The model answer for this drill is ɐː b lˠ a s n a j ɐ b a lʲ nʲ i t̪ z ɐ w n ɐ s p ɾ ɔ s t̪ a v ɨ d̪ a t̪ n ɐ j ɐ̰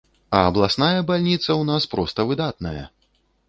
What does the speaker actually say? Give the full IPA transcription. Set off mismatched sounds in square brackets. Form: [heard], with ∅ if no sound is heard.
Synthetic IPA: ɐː b lˠ a s n a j ɐ b a lʲ nʲ i t̪ [s] ɐ w n [a] s p ɾ ɔ s t̪ [ɐ] v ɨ d̪ a t̪ n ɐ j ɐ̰